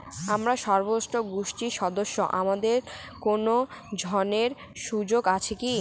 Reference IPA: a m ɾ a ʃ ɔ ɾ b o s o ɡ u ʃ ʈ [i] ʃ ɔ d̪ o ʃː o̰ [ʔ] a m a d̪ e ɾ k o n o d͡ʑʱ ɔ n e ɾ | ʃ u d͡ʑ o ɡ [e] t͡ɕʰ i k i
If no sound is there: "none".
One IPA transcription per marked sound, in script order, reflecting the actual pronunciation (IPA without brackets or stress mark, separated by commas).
i, ʔ, a